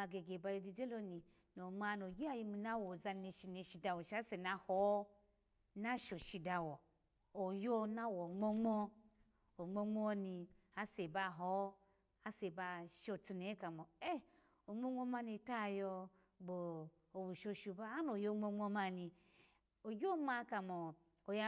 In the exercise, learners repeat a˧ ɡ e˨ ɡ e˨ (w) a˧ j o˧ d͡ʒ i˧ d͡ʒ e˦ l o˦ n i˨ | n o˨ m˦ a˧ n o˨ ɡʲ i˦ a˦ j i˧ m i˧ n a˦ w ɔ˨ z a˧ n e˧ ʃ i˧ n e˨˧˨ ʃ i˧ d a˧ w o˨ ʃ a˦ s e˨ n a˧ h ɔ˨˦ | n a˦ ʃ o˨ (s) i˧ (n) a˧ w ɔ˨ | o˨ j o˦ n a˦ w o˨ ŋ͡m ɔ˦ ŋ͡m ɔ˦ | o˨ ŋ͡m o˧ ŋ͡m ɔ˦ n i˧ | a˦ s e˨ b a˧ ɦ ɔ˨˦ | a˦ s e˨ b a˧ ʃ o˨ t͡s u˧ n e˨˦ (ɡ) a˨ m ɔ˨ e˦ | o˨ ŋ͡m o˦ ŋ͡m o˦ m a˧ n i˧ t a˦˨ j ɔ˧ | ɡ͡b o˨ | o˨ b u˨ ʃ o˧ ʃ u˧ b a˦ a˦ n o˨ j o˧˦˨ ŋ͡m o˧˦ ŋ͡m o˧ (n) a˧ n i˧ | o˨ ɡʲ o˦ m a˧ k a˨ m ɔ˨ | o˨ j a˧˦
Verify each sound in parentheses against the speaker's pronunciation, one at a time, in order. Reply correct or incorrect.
incorrect: b, incorrect: ʃ, incorrect: d, incorrect: k, incorrect: m

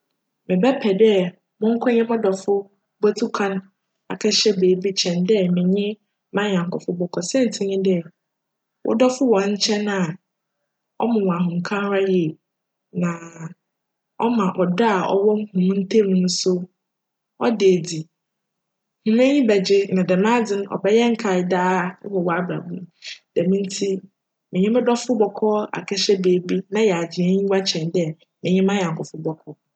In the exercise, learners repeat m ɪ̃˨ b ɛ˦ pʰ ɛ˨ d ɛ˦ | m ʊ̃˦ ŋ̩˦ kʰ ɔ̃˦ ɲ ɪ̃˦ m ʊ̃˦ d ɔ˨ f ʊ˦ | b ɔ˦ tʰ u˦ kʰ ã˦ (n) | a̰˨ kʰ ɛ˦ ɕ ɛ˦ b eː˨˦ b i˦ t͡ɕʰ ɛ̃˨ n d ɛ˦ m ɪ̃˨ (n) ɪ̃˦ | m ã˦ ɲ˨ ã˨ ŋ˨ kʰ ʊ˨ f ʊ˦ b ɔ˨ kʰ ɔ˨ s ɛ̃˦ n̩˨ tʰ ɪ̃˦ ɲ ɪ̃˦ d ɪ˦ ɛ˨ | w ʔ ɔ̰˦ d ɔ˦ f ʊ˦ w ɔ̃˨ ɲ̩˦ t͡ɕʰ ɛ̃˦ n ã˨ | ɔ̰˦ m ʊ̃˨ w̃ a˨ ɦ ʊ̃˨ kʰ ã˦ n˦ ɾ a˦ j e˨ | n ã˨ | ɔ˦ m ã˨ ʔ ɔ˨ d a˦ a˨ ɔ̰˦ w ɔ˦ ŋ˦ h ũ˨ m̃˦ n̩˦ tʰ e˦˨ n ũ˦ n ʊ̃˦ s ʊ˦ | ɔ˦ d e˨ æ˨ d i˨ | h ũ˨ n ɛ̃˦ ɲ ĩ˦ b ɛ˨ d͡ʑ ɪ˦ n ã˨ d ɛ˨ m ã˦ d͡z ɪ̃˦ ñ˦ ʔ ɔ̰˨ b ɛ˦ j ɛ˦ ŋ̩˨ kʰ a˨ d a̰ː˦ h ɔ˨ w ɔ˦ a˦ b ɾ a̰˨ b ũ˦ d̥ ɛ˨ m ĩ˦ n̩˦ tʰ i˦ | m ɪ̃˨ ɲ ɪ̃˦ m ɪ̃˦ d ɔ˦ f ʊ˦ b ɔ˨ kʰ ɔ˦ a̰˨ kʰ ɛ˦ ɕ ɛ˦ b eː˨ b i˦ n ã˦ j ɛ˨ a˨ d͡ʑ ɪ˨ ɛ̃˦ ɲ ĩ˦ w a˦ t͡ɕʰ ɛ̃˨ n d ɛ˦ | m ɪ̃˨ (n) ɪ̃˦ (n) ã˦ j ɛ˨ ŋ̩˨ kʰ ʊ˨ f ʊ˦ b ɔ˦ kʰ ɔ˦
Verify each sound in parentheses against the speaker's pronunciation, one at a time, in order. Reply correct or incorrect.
correct, incorrect: ɲ, incorrect: ɲ, incorrect: m

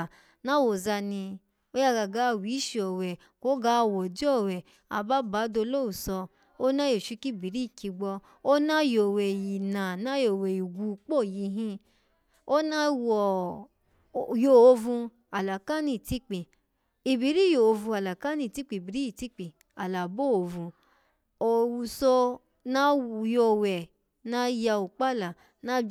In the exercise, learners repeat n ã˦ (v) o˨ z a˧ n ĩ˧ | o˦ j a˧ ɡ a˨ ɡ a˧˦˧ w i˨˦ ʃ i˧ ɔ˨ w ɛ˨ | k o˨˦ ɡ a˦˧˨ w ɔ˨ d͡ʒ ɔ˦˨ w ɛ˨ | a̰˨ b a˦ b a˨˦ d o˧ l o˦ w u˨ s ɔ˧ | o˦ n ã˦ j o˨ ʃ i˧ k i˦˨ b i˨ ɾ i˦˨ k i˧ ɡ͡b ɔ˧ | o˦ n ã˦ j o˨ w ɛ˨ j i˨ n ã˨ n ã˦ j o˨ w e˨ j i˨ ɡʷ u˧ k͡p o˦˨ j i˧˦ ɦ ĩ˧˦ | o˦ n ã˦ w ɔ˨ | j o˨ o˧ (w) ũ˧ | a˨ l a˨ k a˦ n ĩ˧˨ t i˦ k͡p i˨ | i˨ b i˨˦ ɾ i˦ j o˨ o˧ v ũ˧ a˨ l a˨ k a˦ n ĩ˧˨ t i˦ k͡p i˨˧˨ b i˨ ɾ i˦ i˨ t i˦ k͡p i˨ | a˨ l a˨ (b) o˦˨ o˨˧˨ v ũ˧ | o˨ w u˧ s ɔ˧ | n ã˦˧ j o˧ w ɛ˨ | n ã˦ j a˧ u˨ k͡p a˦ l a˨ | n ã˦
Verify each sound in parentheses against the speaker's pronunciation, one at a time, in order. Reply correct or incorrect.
incorrect: w, incorrect: v, correct

